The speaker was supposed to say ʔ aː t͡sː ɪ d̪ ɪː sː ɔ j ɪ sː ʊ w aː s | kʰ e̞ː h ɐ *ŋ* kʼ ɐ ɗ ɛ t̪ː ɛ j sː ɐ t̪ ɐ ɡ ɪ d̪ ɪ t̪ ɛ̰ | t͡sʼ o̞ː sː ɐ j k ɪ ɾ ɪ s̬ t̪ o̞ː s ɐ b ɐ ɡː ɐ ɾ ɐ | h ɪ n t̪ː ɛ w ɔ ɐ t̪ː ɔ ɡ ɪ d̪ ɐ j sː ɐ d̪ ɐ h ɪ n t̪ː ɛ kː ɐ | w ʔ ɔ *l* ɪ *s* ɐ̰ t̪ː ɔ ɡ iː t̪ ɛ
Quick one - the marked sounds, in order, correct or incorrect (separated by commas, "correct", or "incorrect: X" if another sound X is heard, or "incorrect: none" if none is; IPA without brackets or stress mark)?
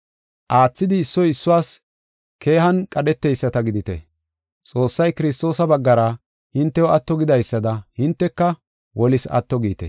incorrect: n, correct, correct